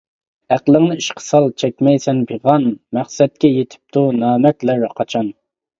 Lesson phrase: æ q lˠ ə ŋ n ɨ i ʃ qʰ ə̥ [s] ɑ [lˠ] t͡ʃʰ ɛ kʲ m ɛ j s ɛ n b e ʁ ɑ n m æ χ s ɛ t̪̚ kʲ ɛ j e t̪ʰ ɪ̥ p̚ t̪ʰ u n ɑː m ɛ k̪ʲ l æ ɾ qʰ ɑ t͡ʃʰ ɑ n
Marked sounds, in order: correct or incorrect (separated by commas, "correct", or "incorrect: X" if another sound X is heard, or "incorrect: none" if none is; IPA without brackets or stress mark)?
correct, correct